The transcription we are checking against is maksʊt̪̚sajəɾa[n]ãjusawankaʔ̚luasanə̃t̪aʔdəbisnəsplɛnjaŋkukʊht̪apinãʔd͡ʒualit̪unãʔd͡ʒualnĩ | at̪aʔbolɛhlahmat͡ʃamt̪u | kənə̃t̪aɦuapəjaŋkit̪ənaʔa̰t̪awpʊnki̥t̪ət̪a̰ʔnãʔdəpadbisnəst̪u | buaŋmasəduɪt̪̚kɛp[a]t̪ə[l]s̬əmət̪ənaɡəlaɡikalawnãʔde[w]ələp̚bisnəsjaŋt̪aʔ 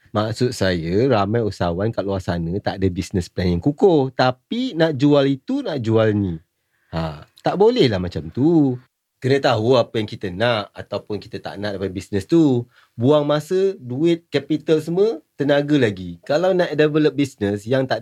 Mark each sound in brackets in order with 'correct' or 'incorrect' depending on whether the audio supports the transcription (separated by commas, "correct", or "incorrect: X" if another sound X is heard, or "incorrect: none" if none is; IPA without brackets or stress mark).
incorrect: m, incorrect: i, correct, incorrect: v